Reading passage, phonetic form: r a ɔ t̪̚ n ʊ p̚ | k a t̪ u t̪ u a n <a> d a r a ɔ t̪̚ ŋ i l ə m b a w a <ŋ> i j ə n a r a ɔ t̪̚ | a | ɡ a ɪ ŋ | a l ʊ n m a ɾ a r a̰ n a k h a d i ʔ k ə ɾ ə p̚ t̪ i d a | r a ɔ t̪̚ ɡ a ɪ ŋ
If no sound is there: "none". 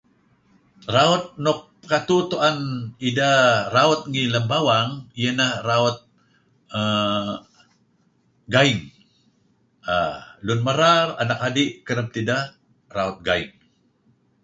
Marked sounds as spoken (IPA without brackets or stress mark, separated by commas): i, ŋ